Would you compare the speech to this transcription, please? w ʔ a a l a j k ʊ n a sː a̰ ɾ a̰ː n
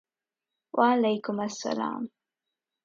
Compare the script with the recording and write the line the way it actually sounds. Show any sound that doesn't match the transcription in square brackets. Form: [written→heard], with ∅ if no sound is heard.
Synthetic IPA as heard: w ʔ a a l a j k ʊ [n→m] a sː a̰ [ɾ→l] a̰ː [n→m]